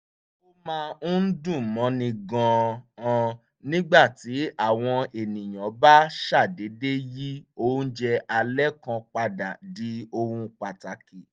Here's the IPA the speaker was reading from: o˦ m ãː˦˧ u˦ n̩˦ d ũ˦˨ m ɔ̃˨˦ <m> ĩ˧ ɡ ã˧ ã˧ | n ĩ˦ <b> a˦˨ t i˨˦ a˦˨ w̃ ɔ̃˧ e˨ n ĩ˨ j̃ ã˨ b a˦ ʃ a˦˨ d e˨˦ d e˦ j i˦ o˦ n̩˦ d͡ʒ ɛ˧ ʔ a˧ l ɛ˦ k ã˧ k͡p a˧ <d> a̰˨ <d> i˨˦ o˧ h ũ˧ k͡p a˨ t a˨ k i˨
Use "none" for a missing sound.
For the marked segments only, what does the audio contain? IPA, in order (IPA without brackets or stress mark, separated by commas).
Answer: n, ɡ͡b, d, d